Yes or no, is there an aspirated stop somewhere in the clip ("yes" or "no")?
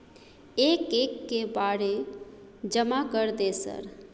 no